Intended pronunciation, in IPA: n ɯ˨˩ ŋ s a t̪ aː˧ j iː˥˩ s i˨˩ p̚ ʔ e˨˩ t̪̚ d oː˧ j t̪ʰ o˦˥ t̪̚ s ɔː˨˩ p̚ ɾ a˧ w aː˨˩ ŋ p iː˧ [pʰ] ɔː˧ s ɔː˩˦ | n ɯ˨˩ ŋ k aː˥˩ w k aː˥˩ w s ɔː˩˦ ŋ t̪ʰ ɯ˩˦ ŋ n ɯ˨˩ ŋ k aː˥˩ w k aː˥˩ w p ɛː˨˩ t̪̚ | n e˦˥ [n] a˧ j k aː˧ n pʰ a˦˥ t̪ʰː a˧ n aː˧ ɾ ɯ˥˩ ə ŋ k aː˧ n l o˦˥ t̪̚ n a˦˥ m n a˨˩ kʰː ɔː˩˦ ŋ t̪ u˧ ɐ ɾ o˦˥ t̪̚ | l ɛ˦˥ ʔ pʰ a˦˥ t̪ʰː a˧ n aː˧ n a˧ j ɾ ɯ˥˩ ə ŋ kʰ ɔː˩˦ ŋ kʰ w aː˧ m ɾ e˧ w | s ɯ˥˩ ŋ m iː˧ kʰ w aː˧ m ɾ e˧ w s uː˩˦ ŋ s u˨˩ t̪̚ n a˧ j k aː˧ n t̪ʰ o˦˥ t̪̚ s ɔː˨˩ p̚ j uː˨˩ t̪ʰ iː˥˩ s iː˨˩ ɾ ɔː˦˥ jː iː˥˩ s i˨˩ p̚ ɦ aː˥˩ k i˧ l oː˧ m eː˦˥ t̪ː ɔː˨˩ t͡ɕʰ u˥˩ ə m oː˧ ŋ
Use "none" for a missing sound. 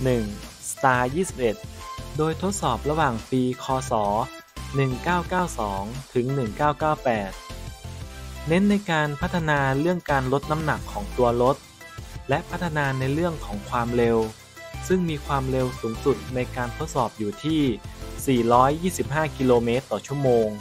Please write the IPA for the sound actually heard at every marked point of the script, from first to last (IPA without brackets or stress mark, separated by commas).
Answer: kʰ, nː